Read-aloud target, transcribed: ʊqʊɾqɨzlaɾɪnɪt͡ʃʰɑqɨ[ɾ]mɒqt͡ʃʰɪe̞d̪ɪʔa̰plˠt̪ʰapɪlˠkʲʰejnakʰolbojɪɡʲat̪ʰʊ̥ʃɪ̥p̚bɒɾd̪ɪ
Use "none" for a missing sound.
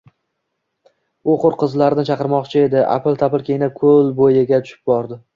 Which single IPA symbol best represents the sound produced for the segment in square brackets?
ɾ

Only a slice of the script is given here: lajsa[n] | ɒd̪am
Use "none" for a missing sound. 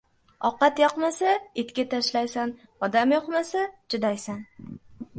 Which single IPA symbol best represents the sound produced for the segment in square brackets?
n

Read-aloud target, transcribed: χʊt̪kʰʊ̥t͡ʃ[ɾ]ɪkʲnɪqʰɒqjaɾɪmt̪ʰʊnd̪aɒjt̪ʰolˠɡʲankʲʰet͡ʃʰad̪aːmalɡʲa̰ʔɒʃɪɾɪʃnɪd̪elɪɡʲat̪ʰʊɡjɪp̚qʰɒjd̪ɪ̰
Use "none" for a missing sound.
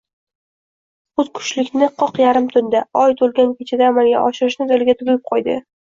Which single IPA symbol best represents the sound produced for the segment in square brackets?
l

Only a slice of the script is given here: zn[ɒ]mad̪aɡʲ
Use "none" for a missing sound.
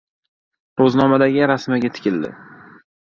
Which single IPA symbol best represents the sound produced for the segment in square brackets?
ɒ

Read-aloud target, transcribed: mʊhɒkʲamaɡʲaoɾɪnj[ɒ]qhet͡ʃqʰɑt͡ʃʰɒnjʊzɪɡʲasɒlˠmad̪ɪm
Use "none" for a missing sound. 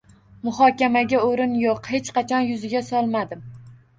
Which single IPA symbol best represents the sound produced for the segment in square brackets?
o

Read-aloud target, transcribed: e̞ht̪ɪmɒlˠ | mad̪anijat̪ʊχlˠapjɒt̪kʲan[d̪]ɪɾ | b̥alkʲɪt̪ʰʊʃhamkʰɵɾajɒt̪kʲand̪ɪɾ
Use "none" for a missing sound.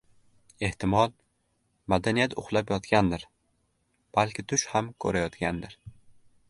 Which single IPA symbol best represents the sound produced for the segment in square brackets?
d̪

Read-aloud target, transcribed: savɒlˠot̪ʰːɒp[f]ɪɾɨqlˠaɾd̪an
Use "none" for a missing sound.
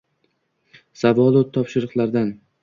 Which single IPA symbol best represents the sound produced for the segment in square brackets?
ʃ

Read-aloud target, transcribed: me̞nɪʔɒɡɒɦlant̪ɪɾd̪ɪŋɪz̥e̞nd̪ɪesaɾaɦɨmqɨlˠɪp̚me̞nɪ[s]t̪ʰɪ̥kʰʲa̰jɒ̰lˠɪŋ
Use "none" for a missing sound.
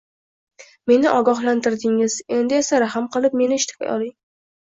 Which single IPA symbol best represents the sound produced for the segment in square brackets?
ʃ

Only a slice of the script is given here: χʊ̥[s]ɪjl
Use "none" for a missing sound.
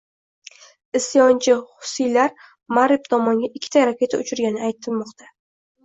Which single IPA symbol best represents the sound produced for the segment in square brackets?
s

